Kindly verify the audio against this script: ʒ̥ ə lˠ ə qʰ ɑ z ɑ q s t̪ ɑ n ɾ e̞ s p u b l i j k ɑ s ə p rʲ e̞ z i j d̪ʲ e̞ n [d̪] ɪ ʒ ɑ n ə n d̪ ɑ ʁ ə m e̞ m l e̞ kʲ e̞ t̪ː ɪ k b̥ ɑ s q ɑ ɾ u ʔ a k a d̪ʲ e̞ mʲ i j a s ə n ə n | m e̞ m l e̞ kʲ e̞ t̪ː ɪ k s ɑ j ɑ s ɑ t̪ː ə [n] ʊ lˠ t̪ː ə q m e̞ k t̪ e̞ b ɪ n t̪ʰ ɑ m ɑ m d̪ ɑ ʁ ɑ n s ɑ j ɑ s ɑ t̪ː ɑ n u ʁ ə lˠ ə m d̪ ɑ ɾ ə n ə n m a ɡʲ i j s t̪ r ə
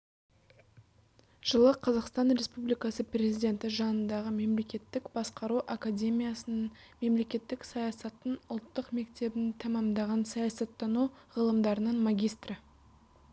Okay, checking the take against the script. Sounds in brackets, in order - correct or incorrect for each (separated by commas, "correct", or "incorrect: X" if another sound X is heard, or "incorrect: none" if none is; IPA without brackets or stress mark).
incorrect: t̪, correct